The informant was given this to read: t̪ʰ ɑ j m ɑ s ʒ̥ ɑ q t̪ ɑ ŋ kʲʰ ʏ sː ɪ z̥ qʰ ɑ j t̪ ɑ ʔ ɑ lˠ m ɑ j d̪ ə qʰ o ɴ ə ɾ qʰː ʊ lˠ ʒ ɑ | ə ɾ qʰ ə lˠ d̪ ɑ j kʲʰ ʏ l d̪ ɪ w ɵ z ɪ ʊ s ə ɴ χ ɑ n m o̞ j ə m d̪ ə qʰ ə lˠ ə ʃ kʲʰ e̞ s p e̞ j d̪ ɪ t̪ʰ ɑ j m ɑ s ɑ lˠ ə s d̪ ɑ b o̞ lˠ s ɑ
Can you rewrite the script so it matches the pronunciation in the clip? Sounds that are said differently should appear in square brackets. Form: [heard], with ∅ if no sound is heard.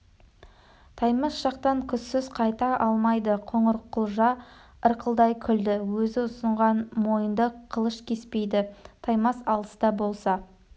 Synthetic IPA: t̪ʰ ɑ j m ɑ s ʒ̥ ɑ q t̪ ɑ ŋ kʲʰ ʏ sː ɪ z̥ qʰ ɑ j t̪ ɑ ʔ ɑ lˠ m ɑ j d̪ ə qʰ o ɴ ə ɾ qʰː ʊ lˠ ʒ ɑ | ə ɾ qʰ ə lˠ d̪ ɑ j kʲʰ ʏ l d̪ ɪ w ɵ z ɪ ʊ s ə ɴ [ʁ] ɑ n m o̞ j ə [n] d̪ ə qʰ ə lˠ ə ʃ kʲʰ e̞ s p e̞ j d̪ ɪ t̪ʰ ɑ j m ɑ s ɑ lˠ ə s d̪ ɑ b o̞ lˠ s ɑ

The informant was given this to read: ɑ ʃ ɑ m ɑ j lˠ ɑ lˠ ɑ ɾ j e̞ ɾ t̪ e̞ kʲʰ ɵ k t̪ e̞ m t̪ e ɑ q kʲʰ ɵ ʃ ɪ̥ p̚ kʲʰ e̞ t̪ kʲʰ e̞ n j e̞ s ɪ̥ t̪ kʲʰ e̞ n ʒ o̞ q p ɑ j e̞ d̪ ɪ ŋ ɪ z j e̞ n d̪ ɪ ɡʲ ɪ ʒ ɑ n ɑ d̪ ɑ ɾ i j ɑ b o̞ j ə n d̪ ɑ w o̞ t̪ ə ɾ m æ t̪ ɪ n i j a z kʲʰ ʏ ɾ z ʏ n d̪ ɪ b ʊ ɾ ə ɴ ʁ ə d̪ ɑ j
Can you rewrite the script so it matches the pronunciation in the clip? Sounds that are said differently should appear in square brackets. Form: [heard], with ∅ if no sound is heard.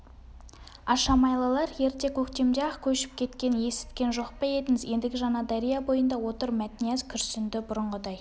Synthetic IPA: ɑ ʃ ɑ m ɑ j lˠ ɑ lˠ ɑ ɾ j e̞ ɾ t̪ e̞ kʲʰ ɵ k t̪ e̞ m [d̪] e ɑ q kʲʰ ɵ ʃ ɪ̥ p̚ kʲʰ e̞ t̪ [kʲ] e̞ n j e̞ s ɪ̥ t̪ [kʲ] e̞ n ʒ o̞ q p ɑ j e̞ d̪ ɪ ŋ ɪ z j e̞ n d̪ ɪ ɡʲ ɪ ʒ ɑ n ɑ d̪ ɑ ɾ i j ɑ b o̞ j ə n d̪ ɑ w o̞ t̪ ə ɾ m æ t̪ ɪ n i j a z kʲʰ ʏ ɾ [s] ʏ n d̪ ɪ b ʊ ɾ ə ɴ ʁ ə d̪ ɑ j

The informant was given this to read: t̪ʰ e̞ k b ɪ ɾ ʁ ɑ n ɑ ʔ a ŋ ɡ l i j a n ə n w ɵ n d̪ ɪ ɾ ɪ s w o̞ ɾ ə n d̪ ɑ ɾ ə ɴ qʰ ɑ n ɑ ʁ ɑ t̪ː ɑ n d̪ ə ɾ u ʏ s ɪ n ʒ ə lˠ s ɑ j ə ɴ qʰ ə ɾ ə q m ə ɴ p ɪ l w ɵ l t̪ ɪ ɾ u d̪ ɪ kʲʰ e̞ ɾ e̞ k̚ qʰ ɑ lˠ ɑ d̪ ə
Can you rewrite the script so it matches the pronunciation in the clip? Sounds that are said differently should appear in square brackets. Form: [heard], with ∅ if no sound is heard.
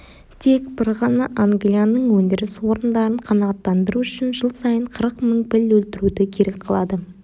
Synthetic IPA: t̪ʰ e̞ k b ɪ ɾ ʁ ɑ n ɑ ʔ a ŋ ɡ l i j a n ə [ɴ] w ɵ n d̪ ɪ ɾ ɪ s w o̞ ɾ ə n d̪ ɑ ɾ ə ɴ qʰ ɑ n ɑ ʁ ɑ t̪ː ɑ n d̪ ə ɾ u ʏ [ʃ] ɪ n ʒ ə lˠ s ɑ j ə ɴ qʰ ə ɾ ə q m ə ɴ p ɪ l w ɵ l t̪ ɪ ɾ u d̪ ɪ kʲʰ e̞ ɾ e̞ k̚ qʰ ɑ lˠ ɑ d̪ ə

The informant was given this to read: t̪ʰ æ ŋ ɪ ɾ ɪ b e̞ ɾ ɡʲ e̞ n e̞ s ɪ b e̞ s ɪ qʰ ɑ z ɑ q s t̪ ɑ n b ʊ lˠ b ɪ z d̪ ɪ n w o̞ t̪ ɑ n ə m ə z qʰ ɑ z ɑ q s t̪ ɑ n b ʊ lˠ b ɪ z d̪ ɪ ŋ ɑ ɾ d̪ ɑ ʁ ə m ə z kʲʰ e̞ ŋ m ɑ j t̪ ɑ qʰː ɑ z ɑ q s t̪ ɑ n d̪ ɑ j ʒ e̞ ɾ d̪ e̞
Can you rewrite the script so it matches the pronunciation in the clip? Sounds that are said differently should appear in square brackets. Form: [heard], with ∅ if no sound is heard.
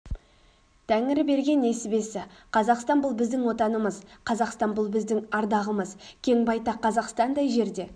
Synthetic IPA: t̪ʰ æ ŋ ɪ ɾ ɪ b e̞ ɾ ɡʲ e̞ n e̞ s ɪ b e̞ s ɪ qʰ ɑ z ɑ q s t̪ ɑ n b ʊ lˠ b ɪ z d̪ ɪ [ŋ] w o̞ t̪ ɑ n ə m ə z qʰ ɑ z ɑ q s t̪ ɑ n b ʊ lˠ b ɪ z d̪ ɪ ŋ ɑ ɾ d̪ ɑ ʁ ə m ə z kʲʰ e̞ ŋ [b] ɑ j t̪ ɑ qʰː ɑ z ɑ q s t̪ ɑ n d̪ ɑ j ʒ e̞ ɾ d̪ e̞

